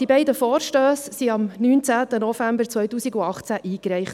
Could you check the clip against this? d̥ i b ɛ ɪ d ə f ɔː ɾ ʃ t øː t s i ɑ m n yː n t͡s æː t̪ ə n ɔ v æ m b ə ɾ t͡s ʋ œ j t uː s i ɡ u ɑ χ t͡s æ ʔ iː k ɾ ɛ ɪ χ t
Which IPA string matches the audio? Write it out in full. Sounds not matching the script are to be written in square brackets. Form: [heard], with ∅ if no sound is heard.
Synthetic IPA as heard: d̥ i b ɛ ɪ d ə f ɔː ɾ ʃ t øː [s] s i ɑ m n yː n t͡s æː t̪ ə n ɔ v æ m b ə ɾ t͡s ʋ œ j t uː s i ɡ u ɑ χ t͡s æ ʔ iː k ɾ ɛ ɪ χ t